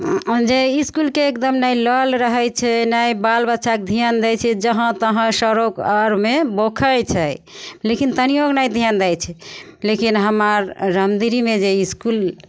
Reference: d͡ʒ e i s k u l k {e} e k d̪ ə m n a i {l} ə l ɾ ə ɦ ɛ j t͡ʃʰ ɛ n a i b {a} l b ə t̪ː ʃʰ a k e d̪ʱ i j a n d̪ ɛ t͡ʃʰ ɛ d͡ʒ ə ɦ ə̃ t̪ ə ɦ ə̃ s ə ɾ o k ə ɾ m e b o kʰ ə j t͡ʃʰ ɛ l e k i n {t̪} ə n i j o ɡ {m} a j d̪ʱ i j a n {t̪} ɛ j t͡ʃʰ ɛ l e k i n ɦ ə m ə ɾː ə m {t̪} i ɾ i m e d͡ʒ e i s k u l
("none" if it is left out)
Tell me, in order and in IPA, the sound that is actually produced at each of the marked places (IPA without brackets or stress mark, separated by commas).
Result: e, l, a, t̪, n, d̪, d̪